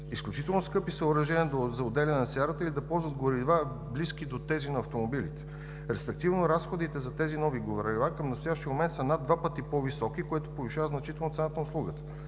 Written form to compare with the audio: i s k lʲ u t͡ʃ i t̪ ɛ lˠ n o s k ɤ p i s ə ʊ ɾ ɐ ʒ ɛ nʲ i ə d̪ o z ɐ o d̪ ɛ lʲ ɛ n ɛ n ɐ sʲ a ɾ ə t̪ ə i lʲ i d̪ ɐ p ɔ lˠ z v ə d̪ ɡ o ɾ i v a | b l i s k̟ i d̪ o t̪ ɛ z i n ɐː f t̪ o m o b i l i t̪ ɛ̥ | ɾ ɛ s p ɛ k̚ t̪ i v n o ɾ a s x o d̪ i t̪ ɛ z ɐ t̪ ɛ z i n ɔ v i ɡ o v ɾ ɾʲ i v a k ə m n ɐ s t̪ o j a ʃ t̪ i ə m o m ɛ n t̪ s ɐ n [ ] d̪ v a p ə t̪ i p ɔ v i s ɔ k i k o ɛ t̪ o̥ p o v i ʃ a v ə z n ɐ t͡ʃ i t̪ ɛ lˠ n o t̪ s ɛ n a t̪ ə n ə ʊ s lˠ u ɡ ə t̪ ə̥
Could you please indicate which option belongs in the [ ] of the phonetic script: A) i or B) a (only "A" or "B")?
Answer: B